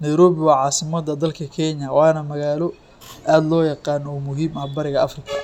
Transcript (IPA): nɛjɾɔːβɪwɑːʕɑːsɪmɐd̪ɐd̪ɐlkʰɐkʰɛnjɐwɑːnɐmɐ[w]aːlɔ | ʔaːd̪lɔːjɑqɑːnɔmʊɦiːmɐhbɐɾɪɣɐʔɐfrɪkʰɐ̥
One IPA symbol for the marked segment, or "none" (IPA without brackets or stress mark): ɣ